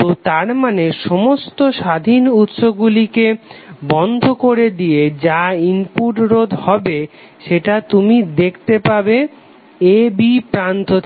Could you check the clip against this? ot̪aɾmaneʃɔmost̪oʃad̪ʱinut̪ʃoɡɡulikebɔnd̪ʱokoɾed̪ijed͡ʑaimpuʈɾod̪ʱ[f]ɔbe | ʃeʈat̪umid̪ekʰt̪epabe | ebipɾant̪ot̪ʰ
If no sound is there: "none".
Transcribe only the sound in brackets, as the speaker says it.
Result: h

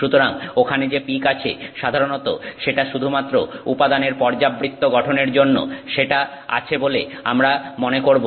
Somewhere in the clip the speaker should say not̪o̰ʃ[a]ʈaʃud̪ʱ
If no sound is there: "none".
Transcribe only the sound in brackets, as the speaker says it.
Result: e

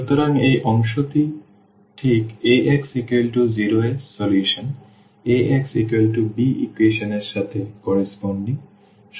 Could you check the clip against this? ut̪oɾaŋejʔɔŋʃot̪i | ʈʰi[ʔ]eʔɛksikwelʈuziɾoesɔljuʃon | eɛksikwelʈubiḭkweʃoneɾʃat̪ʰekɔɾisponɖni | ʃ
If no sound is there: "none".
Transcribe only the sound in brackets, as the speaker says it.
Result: k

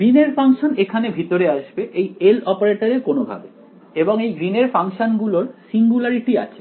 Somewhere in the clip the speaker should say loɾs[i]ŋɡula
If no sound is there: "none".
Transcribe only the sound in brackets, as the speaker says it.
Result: i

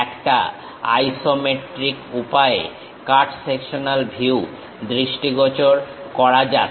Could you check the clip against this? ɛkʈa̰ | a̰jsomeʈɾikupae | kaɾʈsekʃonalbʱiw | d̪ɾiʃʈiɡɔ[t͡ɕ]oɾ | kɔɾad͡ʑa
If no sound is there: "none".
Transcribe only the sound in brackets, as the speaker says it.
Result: t͡ɕ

